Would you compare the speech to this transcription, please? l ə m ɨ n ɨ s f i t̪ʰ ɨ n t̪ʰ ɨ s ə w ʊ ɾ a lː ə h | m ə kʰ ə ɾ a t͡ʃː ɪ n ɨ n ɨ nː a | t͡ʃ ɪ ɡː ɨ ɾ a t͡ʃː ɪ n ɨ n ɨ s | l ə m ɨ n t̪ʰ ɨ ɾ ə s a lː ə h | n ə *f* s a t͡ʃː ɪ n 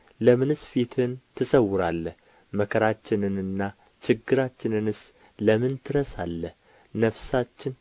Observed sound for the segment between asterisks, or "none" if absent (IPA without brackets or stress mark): f